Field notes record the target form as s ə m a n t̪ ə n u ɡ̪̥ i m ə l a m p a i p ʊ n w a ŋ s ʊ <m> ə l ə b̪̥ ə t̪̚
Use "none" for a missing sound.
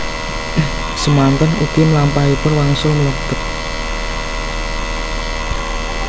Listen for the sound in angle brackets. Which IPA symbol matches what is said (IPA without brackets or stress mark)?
m